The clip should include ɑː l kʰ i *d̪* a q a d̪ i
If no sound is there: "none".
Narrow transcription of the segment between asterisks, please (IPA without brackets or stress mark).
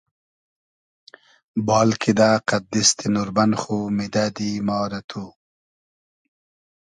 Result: d̪